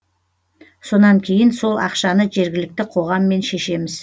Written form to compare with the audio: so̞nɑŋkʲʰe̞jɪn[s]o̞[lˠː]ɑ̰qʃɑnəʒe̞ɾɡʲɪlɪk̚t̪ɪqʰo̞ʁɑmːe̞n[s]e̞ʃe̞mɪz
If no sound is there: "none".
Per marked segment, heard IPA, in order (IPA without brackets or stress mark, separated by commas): s, lˠ, ʃ